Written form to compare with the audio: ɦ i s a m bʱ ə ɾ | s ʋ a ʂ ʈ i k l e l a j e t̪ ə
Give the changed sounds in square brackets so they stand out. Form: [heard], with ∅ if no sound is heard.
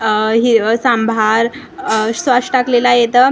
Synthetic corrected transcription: ɦ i s a m bʱ [a] ɾ | s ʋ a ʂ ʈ [a] k l e l a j e t̪ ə